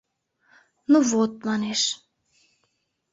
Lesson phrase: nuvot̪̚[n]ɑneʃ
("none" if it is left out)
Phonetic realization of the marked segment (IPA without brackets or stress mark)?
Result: m